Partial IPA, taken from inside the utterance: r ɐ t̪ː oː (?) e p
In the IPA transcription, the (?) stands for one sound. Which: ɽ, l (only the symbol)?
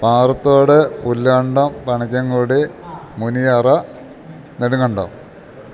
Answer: ɽ